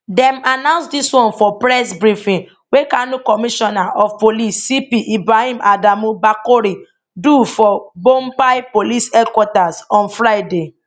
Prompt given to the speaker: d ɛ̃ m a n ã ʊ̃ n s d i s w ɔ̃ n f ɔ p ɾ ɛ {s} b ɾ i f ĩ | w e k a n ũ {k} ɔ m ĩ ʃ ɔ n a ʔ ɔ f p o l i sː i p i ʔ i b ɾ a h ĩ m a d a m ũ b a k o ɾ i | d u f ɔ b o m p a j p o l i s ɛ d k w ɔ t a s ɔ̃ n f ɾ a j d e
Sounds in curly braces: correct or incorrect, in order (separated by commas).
correct, correct